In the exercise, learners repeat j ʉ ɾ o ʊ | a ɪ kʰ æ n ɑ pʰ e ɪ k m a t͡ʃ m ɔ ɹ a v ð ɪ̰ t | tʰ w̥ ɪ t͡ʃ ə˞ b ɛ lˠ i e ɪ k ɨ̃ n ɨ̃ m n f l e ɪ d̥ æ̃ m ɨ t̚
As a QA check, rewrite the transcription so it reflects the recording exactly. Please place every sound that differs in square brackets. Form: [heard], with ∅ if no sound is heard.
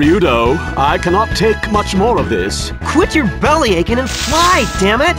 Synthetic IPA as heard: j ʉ ɾ o ʊ | a ɪ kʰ æ n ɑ [tʰ] e ɪ k m [ʌ] t͡ʃ m ɔ ɹ [ʌ] v ð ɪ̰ [s] | [kʰ] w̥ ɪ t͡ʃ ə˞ b ɛ lˠ i e ɪ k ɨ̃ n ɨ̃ [∅] n f l [a] ɪ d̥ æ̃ m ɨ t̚